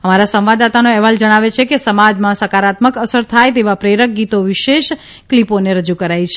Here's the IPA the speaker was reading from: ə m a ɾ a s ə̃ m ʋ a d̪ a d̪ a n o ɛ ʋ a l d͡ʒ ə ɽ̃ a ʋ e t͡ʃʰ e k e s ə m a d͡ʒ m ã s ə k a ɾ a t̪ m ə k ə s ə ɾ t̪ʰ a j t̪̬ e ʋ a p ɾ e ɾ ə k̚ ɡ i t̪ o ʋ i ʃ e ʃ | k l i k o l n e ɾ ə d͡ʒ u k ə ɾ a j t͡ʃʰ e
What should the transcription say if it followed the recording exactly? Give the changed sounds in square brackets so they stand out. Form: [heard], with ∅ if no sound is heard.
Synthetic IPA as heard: ə m a ɾ a s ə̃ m ʋ a d̪ a [t̪] a n o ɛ ʋ a l d͡ʒ ə ɽ̃ a ʋ e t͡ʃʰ e k e s ə m a d͡ʒ m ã s ə k a ɾ a t̪ m ə k ə s ə ɾ t̪ʰ a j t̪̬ e ʋ a p ɾ e ɾ ə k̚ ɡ i t̪ o ʋ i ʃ e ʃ | k l i [p] o [∅] n e ɾ ə d͡ʒ u k ə ɾ a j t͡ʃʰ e